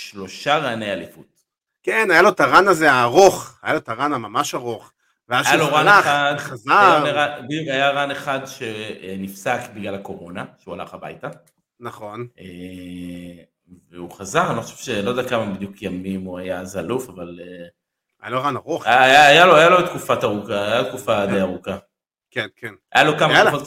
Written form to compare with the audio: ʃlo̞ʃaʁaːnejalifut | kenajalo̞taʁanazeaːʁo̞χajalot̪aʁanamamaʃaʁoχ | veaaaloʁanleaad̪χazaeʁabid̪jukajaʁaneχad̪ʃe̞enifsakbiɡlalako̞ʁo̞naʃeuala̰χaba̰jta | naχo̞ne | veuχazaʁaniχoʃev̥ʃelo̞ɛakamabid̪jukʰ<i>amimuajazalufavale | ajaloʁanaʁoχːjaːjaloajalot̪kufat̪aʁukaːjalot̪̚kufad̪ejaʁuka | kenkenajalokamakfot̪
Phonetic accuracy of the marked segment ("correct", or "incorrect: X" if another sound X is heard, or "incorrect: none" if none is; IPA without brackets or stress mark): incorrect: j